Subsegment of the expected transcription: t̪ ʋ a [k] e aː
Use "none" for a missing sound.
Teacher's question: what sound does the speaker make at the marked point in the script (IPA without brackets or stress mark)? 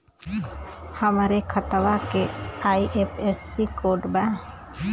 k